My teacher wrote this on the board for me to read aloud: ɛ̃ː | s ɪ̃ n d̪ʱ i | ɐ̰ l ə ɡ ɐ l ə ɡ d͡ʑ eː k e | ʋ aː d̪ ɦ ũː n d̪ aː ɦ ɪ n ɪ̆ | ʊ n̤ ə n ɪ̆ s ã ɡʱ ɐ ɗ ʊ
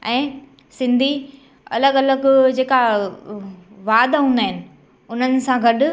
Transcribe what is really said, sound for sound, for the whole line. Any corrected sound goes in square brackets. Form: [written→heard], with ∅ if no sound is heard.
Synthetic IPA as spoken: ɛ̃ː | s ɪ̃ n d̪ʱ i | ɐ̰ l ə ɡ ɐ l ə ɡ d͡ʑ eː k [e→a] | ʋ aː d̪ ɦ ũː n d̪ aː ɦ ɪ n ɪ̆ | ʊ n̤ ə n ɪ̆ s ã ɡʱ ɐ ɗ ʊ